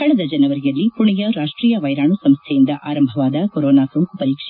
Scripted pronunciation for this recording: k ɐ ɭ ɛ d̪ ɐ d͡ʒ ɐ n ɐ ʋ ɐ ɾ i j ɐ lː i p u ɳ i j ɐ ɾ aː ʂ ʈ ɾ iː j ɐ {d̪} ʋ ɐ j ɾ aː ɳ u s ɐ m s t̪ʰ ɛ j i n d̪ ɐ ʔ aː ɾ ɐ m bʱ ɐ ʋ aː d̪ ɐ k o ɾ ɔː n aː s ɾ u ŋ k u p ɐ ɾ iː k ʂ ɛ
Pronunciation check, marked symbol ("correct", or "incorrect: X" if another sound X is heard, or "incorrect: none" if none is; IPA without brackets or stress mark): incorrect: none